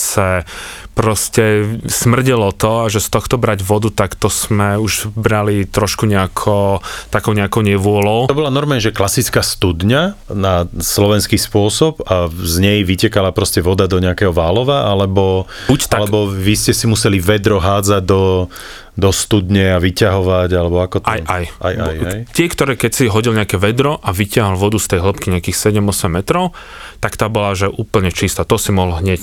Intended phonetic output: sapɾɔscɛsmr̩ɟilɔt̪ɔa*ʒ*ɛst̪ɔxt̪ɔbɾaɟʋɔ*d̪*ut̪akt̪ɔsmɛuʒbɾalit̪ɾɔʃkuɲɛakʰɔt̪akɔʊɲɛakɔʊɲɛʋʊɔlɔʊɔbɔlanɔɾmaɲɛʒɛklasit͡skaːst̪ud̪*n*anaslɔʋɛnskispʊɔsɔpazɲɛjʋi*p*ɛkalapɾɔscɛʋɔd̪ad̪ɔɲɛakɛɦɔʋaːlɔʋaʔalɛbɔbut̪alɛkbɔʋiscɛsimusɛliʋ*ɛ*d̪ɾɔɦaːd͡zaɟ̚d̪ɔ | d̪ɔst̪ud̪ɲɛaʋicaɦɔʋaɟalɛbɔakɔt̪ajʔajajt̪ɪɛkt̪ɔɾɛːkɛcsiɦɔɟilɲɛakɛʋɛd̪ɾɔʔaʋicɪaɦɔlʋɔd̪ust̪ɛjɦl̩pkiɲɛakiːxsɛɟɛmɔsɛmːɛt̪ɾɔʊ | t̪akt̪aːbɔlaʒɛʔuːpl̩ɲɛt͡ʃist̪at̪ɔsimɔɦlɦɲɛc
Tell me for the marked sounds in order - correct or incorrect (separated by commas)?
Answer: correct, correct, incorrect, incorrect, correct